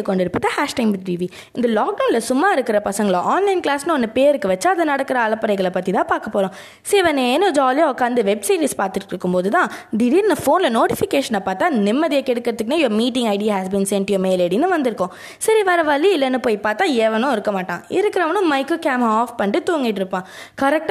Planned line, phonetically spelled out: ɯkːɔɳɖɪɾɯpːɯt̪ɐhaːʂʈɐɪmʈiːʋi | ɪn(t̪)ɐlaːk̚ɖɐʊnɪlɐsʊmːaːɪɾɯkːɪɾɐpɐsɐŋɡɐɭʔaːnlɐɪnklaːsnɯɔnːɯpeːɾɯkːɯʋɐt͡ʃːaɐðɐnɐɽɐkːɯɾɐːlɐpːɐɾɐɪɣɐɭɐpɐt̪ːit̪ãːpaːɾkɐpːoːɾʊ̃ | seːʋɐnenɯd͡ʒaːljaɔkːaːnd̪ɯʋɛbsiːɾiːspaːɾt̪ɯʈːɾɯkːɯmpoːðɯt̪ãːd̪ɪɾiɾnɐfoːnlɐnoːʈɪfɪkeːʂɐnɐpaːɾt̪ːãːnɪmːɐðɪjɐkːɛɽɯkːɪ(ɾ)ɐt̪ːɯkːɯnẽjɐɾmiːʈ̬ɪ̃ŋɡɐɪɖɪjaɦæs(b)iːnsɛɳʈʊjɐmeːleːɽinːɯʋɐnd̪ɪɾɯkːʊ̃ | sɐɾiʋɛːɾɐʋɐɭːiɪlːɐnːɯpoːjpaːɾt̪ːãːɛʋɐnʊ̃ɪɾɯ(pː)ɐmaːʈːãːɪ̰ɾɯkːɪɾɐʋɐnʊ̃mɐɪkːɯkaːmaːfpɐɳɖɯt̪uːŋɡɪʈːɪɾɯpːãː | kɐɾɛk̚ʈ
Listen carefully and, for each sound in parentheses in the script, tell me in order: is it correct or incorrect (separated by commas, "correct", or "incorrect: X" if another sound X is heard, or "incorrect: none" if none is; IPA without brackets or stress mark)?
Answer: incorrect: d̪, correct, correct, incorrect: kː